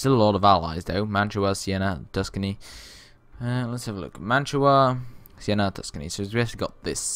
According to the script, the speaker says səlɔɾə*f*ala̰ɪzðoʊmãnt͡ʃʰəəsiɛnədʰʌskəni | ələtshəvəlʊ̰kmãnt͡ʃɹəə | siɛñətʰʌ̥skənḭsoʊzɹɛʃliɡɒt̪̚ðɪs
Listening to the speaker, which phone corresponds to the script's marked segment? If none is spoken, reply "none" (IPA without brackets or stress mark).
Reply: v